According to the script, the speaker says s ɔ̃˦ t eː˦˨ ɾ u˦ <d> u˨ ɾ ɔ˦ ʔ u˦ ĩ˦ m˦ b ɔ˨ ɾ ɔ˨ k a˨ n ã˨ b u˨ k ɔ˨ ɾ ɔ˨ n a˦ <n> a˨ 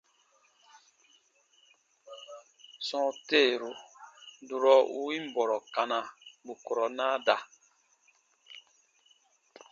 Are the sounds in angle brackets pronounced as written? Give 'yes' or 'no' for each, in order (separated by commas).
yes, no